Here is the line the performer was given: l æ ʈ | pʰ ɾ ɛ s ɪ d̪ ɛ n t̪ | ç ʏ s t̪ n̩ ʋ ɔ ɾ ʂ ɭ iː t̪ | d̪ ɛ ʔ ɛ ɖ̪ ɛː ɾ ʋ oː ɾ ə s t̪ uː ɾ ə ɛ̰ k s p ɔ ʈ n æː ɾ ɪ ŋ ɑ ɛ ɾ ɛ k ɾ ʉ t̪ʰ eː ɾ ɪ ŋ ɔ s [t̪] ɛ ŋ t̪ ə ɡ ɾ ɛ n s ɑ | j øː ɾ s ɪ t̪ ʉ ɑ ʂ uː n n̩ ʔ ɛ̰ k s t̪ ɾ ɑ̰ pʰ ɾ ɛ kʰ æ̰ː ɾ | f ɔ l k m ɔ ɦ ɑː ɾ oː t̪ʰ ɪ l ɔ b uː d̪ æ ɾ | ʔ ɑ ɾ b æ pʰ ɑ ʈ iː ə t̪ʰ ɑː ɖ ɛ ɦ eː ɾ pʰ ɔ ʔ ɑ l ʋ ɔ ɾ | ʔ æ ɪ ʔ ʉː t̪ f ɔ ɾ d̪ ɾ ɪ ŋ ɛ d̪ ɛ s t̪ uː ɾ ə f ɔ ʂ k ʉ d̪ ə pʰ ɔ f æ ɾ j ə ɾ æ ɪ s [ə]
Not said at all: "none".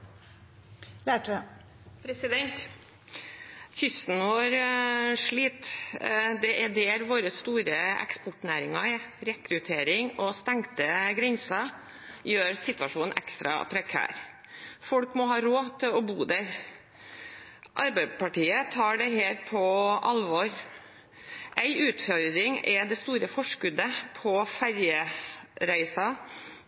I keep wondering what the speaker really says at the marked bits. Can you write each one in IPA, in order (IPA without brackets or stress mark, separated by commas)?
t̪, ɑ